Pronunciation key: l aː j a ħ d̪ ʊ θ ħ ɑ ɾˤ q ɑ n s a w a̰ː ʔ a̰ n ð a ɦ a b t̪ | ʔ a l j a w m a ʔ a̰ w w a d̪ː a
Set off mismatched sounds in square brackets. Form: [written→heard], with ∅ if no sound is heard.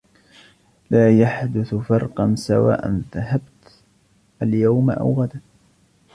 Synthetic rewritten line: l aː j a ħ d̪ ʊ θ [ħ→f] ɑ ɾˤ q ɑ n s a w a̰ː ʔ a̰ n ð a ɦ a b t̪ | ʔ a l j a w m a ʔ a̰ w [w→ɣ] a [d̪ː→d̪] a